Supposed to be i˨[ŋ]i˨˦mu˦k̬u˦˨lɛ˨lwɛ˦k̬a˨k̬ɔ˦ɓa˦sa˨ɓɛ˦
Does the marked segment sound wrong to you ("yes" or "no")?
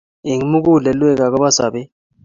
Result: no